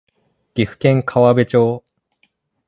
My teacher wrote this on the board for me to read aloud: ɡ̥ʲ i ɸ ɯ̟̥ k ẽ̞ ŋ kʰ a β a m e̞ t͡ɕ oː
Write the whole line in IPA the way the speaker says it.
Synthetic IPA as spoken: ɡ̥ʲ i ɸ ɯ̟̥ k ẽ̞ ŋ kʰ a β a b e̞ t͡ɕ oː